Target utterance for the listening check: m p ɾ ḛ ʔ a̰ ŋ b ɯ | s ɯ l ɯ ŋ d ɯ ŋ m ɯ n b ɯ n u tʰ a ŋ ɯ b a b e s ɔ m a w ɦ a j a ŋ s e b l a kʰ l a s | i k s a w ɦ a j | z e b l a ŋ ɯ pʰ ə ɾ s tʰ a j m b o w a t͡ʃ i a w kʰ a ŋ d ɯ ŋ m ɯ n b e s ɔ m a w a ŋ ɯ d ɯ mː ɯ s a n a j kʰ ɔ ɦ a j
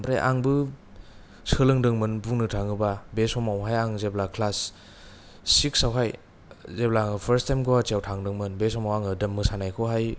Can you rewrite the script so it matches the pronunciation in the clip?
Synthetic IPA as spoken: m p ɾ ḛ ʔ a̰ ŋ b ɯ | s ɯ l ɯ ŋ d ɯ ŋ m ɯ n b u n ɯ tʰ a ŋ ɯ b a b e s ɔ m a w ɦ a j a ŋ z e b l a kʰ l a s | i k s a w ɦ a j | z e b l a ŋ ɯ pʰ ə ɾ s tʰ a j m ɡ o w a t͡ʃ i a w tʰ a ŋ d ɯ ŋ m ɯ n b e s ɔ m a w a ŋ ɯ d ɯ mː ɯ s a n a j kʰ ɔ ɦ a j